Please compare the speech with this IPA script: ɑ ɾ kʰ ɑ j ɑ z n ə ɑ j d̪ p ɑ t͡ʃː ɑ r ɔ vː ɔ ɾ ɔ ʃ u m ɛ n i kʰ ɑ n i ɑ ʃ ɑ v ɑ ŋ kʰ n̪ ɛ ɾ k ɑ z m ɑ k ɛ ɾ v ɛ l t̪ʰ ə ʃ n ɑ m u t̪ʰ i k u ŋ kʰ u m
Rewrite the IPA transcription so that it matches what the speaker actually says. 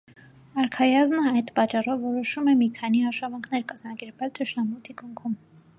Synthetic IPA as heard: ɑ ɾ kʰ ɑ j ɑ z n ə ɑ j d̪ p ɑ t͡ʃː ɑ r ɔ vː ɔ ɾ ɔ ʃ u m ɛ m i kʰ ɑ n i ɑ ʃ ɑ v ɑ ŋ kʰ n̪ ɛ ɾ k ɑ z m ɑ k ɛ ɾ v ɛ l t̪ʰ ə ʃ n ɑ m u t̪ʰ i k u ŋ kʰ u m